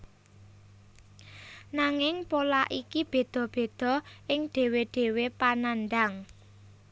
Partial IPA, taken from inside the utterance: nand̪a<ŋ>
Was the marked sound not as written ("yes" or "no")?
no